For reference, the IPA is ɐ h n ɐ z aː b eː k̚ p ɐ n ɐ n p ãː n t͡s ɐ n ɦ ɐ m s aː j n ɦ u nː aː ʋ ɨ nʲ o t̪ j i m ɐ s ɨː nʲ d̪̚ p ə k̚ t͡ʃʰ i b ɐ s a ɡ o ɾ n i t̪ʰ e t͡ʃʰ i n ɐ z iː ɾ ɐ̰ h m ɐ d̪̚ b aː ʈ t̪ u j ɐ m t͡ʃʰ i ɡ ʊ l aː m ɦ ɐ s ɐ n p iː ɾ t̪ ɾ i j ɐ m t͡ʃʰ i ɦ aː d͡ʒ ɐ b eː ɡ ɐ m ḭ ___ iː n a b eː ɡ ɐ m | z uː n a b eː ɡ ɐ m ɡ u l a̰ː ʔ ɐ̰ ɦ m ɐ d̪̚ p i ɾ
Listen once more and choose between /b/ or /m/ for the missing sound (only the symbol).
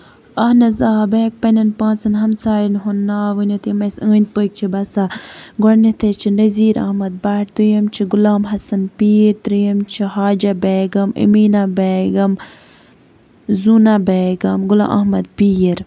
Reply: m